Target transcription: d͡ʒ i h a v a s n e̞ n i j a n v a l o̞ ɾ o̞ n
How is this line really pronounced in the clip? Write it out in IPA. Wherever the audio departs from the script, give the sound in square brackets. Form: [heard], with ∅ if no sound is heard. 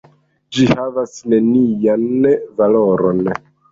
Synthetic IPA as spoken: d͡ʒ i h a v a s n e̞ n i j a n v a l o̞ ɾ o̞ n